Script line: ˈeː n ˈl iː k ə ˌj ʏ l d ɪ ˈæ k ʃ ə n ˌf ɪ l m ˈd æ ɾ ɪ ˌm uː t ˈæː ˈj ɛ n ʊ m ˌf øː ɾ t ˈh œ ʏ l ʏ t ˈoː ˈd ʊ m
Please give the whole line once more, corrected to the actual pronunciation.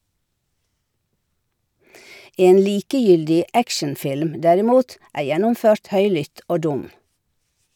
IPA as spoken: ˈeː n ˈl iː k ə ˌj ʏ l d ɪ ˈæ k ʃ ə n ˌf ɪ l m ˈd æ ɾ ɪ ˌm uː t ˈæː ˈj ɛ n ʊ m ˌf øː ɾ t ˈh œ ʏ l ʏ t ˈoː ˈd ʊ m

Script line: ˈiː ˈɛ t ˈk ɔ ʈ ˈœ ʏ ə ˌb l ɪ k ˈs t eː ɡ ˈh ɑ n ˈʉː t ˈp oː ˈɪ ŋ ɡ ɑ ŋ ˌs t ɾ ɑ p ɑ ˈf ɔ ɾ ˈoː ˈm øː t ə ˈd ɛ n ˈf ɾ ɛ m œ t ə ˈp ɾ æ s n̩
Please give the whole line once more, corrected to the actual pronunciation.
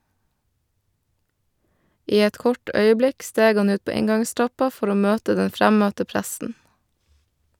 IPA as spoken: ˈiː ˈɛ t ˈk ɔ ʈ ˈœ ʏ ə ˌb l ɪ k ˈs t eː ɡ ˈh ɑ n ˈʉː t ˈp oː ˈɪ ŋ ɡ ɑ ŋ ˌs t ɾ ɑ p ɑ ˈf ɔ ɾ ˈoː ˈm øː t ə ˈd ɛ n ˈf ɾ æ m œ t ə ˈp ɾ æ s n̩

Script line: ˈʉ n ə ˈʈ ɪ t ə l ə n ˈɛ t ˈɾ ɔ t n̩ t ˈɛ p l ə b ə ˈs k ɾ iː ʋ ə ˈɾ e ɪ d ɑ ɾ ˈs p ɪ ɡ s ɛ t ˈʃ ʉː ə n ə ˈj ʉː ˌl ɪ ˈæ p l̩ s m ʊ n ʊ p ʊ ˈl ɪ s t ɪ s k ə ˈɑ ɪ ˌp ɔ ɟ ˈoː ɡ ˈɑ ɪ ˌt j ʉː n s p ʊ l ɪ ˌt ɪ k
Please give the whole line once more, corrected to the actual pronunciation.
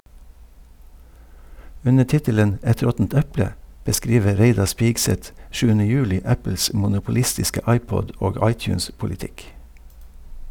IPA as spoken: ˈʉ n ə ˈʈ ɪ t ə l ə n ˈɛ t ˈɾ ɔ t n̩ t ˈɛ p l ə b ə ˈs k ɾ iː ʋ ə ˈɾ e ɪ d ɑ ɾ ˈs p ɪ ɡ s ɛ t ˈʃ ʉː ə n ə ˈj ʉː ˌl ɪ ˈæ p l̩ s m ʊ n ʊ p ʊ ˈl ɪ s t ɪ s k ə ˈɑ ɪ ˌp ɔ ɟ ˈoː ɡ ˈɑ ɪ ˌt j ʉː n s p ʊ l ɪ ˌt ɪ k

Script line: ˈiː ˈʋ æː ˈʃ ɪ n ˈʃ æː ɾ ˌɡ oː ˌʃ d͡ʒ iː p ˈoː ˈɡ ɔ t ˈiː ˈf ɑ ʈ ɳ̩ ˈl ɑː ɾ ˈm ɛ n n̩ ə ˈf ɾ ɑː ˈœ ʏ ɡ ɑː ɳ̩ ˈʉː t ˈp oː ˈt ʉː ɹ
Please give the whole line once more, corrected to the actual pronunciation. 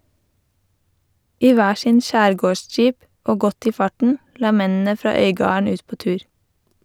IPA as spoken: ˈiː ˈʋ æː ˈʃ ɪ n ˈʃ æː ɾ ˌɡ oː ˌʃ d͡ʒ iː p ˈoː ˈɡ ɔ t ˈiː ˈf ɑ ʈ ɳ̩ ˈl ɑː ˈm ɛ n n̩ ə ˈf ɾ ɑː ˈœ ʏ ɡ ɑː ɳ̩ ˈʉː t ˈp oː ˈt ʉː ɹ

